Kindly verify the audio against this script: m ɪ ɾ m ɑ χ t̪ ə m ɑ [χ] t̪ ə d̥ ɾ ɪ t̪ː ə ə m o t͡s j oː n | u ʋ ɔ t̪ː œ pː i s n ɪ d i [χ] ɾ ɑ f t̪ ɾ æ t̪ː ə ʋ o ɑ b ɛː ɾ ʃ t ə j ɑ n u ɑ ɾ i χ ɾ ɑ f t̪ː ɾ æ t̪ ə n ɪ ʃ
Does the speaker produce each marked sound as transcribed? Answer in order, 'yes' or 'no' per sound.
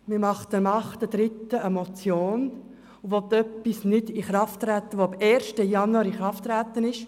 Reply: yes, yes

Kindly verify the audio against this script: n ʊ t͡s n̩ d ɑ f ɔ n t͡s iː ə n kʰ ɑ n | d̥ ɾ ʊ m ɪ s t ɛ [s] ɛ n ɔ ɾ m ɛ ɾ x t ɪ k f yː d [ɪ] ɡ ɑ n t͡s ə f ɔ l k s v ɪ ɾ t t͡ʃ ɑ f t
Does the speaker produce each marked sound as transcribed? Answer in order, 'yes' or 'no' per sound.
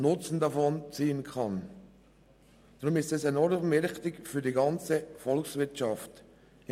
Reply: yes, no

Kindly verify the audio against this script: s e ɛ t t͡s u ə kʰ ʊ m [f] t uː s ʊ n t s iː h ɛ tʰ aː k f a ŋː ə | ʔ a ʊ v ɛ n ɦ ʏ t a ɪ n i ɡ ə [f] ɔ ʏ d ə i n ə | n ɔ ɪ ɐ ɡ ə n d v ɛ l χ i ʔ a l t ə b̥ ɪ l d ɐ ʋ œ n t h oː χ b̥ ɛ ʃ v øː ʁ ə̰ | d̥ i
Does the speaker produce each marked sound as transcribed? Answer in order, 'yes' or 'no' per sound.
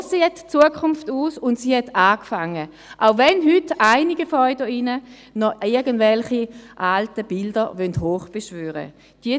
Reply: yes, yes

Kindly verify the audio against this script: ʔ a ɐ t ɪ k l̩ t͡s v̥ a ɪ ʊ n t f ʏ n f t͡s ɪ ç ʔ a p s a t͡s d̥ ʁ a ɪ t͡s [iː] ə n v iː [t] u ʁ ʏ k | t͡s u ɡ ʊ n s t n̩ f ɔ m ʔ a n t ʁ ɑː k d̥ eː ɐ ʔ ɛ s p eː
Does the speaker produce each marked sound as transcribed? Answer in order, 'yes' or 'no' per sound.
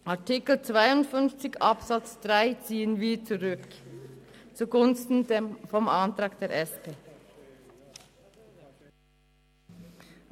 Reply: yes, no

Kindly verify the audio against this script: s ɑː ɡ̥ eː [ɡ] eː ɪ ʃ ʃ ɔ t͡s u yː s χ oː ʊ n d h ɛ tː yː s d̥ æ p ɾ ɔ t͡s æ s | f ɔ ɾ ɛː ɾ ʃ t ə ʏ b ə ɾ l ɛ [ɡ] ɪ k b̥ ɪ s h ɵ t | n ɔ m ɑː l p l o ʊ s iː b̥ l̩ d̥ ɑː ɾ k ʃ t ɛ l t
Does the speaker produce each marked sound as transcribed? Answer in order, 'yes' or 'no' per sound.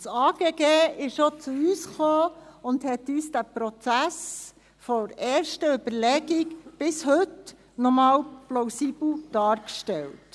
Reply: yes, yes

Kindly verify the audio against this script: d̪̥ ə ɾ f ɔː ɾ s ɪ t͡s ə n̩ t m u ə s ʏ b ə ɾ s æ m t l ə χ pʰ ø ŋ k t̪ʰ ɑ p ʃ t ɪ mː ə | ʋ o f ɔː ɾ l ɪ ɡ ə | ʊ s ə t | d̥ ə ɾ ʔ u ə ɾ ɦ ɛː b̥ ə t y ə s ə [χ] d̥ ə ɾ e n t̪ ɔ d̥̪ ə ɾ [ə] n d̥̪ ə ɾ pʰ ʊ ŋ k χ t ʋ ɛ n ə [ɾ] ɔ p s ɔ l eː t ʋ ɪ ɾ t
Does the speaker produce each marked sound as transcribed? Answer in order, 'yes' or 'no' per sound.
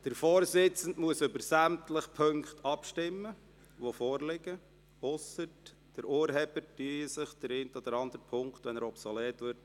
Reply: yes, no, yes

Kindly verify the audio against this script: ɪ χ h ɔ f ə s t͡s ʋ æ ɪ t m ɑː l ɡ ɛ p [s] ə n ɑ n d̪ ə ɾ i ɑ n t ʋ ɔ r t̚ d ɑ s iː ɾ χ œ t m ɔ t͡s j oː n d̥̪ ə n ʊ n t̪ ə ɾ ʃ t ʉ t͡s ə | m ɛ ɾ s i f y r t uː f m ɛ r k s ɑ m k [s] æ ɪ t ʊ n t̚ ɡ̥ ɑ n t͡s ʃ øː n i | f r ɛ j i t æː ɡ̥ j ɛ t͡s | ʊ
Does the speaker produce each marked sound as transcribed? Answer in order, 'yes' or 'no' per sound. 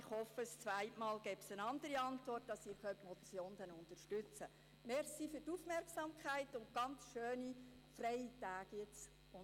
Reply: yes, no

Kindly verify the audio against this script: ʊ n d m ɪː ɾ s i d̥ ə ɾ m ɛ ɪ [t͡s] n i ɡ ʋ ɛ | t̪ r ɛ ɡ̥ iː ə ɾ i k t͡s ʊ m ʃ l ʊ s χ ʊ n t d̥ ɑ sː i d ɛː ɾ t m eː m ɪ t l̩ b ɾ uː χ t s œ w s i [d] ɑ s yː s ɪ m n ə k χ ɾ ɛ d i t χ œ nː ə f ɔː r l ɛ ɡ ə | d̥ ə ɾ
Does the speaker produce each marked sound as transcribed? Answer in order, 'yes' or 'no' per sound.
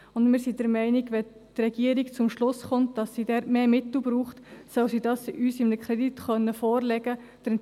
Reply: no, yes

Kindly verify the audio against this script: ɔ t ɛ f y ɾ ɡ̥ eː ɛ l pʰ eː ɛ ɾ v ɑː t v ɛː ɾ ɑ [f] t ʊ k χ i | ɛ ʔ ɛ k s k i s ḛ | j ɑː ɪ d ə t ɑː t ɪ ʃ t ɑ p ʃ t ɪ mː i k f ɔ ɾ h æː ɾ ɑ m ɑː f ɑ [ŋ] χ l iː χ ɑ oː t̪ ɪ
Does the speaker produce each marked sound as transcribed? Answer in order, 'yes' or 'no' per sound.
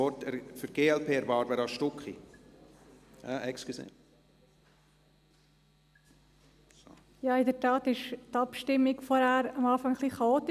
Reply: no, yes

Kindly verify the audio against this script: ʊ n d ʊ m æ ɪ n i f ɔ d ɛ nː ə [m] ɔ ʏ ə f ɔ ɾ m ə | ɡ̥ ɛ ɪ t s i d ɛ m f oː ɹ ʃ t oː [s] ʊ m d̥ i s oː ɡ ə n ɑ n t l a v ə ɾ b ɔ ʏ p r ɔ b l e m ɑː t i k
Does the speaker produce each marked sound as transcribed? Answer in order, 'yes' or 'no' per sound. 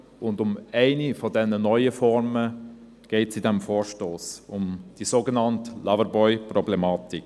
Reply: no, yes

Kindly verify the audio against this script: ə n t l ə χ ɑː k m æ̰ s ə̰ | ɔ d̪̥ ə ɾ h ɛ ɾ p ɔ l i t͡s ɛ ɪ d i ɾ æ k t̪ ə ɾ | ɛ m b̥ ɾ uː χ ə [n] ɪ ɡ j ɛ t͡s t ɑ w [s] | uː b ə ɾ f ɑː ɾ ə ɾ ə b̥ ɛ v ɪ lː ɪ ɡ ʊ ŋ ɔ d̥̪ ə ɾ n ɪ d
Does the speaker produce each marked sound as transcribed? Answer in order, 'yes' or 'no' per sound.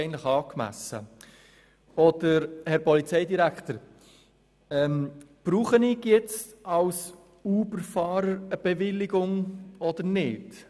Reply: yes, yes

